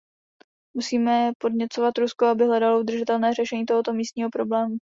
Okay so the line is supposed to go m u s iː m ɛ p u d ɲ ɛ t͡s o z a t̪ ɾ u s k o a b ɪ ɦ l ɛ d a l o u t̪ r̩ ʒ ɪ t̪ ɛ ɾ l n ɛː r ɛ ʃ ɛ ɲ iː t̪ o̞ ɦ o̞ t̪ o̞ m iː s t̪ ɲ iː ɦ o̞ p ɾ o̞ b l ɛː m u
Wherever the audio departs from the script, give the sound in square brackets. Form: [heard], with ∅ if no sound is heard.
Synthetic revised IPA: m u s iː m ɛ p [o] d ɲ ɛ t͡s o [v] a t̪ ɾ u s k o a b ɪ ɦ l ɛ d a l o u [d̪] r̩ ʒ ɪ t̪ ɛ [∅] l n ɛː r ɛ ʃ ɛ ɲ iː t̪ o̞ ɦ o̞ t̪ o̞ m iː s t̪ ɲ iː ɦ o̞ p ɾ o̞ b l ɛː m u